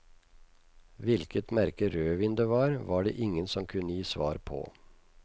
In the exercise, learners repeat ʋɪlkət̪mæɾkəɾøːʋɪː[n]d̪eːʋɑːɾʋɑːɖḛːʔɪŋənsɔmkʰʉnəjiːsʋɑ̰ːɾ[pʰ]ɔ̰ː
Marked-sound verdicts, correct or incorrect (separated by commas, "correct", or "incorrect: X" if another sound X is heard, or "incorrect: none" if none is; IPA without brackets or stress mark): correct, correct